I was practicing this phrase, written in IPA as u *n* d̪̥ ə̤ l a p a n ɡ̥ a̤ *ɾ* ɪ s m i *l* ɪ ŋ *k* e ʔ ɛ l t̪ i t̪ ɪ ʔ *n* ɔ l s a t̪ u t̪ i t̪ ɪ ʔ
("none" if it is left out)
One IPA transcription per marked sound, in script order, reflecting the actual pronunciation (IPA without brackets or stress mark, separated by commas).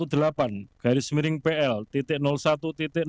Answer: none, ɾ, ɾ, p, n